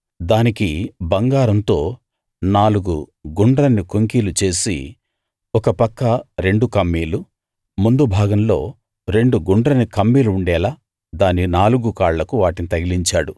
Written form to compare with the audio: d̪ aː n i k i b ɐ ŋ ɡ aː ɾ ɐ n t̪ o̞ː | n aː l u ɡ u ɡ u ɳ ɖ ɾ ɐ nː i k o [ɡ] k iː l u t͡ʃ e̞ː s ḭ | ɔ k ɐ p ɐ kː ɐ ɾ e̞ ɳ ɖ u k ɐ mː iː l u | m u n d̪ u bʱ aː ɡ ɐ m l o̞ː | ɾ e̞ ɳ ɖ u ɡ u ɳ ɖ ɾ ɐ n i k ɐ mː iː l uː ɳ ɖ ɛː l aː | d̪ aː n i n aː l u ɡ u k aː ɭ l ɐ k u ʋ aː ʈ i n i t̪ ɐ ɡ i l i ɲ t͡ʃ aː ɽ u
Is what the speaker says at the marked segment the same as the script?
no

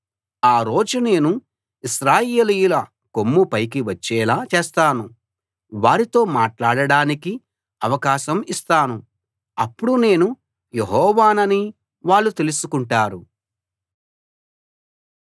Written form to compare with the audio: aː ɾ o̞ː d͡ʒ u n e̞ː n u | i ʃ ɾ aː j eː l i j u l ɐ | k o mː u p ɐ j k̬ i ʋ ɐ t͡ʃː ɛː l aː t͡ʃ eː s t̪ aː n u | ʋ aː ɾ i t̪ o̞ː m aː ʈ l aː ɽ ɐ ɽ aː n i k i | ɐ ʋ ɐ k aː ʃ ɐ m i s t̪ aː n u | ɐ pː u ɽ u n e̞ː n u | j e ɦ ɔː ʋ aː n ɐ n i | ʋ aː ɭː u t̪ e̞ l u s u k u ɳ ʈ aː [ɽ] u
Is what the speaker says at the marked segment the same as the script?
no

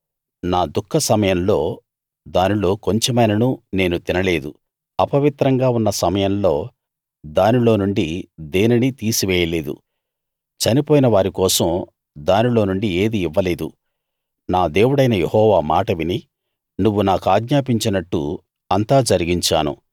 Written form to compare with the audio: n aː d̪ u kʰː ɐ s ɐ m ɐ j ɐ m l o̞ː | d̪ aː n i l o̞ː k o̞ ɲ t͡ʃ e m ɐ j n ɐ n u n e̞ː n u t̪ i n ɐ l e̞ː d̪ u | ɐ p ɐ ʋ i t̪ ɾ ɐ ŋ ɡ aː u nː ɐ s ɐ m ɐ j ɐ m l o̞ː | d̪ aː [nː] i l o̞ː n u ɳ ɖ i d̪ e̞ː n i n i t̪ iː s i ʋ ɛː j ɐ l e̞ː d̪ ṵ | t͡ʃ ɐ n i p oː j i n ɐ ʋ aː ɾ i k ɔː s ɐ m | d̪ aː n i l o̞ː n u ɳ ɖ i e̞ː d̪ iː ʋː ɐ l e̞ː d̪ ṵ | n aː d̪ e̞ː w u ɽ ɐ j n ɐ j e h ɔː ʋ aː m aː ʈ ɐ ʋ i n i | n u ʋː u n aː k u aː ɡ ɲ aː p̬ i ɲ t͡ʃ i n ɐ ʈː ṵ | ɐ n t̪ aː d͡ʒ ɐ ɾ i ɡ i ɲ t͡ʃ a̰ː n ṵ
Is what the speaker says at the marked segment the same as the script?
no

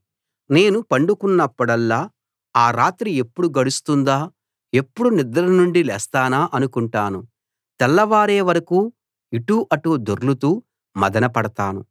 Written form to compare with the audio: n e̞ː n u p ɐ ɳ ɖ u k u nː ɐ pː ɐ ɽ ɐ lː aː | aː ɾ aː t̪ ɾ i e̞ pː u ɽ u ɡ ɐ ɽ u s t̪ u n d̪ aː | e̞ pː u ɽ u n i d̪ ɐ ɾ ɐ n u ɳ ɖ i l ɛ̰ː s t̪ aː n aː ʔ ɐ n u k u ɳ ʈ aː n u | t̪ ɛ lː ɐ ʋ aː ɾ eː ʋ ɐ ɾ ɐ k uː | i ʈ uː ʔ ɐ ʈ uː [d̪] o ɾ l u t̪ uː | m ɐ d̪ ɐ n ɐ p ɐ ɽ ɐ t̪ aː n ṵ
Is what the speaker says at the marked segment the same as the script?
yes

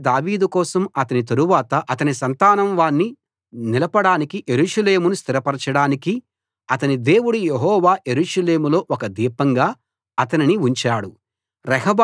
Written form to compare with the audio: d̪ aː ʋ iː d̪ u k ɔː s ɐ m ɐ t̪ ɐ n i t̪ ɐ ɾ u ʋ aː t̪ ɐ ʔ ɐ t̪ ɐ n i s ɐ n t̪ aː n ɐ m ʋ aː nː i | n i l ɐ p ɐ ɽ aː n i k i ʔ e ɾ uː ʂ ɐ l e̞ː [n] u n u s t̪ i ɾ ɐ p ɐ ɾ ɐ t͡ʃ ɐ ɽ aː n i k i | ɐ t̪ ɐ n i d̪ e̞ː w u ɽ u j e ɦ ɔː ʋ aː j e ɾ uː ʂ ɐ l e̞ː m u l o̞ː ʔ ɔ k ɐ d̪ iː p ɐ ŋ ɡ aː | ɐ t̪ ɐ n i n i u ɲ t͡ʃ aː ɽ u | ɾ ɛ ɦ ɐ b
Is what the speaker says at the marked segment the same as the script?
no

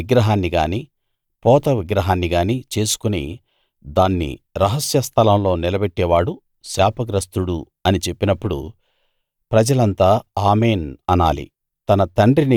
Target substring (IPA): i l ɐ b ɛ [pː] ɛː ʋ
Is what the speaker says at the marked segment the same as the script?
no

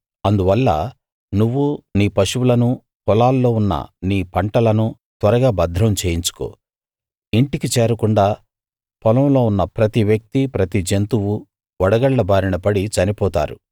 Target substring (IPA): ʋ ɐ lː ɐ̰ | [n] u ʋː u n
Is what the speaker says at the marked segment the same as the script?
yes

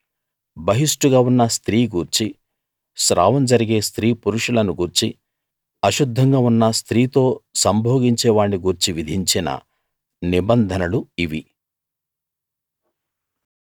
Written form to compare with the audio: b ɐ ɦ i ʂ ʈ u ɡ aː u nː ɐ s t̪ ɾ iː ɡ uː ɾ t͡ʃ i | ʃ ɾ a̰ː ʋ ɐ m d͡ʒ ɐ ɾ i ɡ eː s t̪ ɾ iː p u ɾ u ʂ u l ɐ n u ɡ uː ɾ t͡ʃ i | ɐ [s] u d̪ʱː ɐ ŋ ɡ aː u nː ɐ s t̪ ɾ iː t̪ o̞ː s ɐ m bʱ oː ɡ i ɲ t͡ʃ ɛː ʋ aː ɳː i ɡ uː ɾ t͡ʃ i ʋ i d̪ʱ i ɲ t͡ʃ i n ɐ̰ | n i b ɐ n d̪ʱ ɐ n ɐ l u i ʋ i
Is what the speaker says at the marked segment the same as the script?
no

